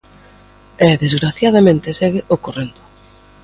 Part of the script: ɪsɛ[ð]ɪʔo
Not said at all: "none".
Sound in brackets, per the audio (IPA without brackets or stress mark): ɣ